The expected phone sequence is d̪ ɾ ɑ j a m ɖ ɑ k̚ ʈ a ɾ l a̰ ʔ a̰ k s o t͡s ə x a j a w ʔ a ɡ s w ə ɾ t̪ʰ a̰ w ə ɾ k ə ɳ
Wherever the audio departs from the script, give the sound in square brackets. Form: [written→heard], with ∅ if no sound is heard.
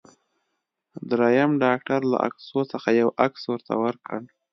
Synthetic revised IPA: d̪ ɾ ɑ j a m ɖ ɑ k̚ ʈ a ɾ l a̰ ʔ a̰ k s o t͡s ə x a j a w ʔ a [ɡ→k] s w ə ɾ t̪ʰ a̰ w ə ɾ k ə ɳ